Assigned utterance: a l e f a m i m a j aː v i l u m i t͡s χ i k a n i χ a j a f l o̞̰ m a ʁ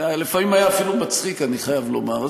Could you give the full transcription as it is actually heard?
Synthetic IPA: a l e f a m i m a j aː f i l u m a t͡s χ i k a n i χ a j a v l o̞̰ m a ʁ